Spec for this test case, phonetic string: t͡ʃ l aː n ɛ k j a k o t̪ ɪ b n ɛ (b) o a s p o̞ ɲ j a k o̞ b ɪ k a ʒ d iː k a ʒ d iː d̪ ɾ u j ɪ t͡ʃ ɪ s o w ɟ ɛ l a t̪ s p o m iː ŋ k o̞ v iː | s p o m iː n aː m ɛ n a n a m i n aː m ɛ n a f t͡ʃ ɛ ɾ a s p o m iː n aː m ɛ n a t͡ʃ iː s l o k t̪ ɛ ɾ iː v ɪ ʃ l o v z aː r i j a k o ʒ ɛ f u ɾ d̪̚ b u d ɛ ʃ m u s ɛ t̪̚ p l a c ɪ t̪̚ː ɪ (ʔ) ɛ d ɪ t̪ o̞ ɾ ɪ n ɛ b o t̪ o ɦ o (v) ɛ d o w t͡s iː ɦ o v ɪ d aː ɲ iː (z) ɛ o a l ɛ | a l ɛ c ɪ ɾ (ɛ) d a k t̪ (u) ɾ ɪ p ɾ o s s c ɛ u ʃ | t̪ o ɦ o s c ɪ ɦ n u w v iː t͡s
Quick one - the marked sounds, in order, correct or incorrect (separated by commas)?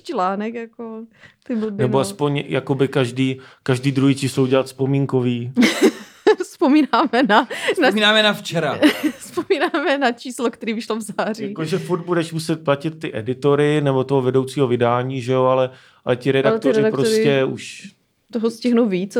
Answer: correct, correct, correct, incorrect, correct, incorrect